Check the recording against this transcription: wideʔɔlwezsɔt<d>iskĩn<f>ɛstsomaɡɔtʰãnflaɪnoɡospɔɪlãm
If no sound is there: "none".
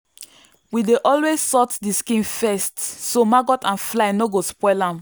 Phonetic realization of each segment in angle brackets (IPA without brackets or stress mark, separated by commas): d, f